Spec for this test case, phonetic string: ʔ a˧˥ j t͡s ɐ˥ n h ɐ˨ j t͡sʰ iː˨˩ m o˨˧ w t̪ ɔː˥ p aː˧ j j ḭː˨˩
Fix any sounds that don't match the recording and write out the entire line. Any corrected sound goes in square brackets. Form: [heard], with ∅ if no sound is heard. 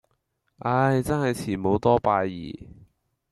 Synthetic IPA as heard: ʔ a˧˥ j t͡s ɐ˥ n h ɐ˨ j t͡sʰ iː˨˩ m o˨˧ w t̪ ɔː˥ p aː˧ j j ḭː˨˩